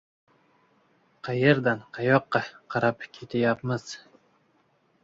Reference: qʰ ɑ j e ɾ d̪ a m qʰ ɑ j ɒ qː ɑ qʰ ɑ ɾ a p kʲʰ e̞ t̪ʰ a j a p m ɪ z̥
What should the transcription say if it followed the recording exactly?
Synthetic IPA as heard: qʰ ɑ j e ɾ d̪ a n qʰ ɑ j ɒ qː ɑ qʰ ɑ ɾ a p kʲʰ e̞ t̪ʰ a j a p m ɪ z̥